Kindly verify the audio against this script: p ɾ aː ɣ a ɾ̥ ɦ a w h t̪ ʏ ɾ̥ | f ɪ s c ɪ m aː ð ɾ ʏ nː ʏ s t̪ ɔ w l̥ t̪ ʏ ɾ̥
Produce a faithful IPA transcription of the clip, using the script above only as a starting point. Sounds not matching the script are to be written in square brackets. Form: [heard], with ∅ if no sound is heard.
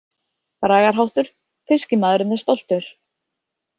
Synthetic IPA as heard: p ɾ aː ɣ a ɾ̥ ɦ a w h t̪ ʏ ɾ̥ | f ɪ s c ɪ m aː ð ɾ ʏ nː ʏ s t̪ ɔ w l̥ t̪ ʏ ɾ̥